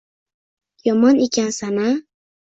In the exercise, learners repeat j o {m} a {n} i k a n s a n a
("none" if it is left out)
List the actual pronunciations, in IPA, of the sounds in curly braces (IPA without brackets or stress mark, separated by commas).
m, n